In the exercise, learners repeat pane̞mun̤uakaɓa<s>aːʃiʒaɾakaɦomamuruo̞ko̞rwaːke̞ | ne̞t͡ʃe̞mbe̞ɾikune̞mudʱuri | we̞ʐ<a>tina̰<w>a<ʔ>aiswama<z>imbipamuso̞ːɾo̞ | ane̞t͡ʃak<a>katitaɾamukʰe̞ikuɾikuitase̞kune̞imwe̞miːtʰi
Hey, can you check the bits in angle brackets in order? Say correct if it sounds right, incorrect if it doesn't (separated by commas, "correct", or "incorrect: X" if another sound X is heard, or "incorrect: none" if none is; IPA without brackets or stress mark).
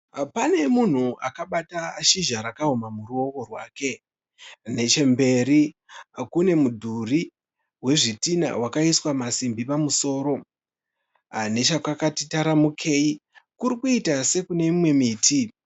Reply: incorrect: t, incorrect: i, correct, incorrect: k, incorrect: s, correct